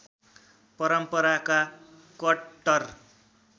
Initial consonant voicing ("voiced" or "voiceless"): voiceless